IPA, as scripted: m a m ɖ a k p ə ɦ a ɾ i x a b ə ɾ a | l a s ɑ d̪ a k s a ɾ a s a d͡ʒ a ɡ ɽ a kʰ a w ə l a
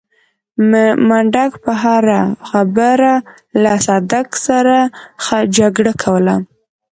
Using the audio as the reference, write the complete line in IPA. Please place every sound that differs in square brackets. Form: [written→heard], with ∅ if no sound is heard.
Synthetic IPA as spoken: m a [m→ɳ] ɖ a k p ə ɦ a ɾ [i→a] x a b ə ɾ a | l a s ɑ d̪ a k s a ɾ a [s→x] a d͡ʒ a ɡ ɽ a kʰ a w ə l a